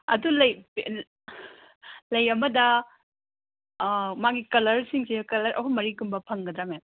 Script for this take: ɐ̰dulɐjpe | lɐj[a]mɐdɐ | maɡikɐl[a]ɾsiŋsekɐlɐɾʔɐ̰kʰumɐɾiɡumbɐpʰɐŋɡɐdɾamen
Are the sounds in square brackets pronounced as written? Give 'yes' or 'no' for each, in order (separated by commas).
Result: no, no